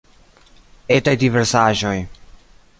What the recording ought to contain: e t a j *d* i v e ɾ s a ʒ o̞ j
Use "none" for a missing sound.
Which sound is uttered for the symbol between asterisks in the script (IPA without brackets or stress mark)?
d